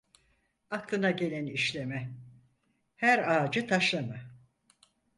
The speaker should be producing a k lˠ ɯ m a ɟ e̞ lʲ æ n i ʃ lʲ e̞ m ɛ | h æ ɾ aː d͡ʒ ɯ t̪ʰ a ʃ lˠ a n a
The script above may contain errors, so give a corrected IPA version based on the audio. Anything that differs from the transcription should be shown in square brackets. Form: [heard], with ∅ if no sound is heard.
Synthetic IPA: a k lˠ ɯ [n] a ɟ e̞ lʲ æ n i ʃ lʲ e̞ m ɛ | h æ ɾ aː d͡ʒ ɯ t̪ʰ a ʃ lˠ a [m] a